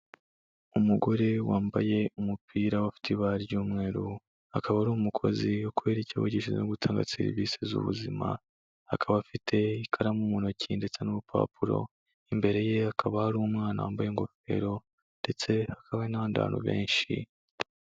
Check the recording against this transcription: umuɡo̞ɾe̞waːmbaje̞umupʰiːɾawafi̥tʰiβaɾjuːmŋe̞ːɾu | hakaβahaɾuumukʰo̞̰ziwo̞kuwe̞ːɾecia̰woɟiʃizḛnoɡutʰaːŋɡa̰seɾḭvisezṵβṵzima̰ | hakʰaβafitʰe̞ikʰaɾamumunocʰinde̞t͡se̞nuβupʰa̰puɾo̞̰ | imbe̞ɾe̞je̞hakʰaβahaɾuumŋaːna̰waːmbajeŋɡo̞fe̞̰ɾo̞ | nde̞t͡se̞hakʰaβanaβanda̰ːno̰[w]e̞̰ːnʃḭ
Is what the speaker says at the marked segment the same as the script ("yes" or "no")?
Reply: no